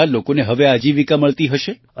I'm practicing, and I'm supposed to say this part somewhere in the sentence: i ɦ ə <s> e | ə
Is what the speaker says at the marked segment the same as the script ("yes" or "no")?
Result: no